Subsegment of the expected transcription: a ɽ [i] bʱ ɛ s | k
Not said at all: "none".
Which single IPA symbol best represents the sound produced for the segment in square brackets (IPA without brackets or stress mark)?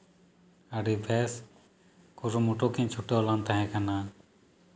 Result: i